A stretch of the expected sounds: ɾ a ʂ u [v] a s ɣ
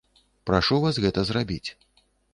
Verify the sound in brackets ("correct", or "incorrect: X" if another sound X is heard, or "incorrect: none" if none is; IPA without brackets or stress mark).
correct